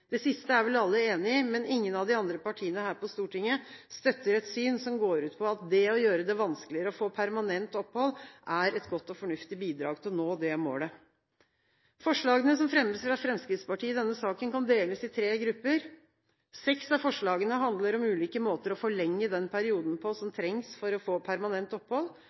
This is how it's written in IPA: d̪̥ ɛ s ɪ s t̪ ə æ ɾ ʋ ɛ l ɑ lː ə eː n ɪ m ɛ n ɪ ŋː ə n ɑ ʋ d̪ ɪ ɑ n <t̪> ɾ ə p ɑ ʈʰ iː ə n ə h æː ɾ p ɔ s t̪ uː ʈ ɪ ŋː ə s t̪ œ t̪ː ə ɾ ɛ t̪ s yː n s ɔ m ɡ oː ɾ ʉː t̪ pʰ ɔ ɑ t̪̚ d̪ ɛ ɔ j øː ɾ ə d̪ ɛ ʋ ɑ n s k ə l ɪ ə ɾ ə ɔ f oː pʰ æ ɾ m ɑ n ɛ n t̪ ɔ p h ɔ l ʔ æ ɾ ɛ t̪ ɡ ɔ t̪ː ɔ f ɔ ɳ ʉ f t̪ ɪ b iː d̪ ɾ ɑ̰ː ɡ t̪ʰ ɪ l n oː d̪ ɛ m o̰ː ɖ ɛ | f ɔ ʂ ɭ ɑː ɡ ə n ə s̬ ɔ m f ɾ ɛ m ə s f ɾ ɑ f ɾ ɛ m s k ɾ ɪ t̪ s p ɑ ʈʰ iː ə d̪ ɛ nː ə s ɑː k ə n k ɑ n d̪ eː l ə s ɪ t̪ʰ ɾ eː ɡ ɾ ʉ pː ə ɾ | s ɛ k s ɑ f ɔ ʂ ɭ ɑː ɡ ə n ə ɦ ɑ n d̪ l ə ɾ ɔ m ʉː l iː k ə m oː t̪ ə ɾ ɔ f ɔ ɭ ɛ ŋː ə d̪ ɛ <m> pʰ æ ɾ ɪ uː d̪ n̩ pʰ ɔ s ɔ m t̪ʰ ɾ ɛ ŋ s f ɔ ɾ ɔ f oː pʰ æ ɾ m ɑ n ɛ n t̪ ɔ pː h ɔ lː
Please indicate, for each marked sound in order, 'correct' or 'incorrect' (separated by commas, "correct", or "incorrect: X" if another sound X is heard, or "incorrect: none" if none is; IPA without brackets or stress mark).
incorrect: d̪, incorrect: n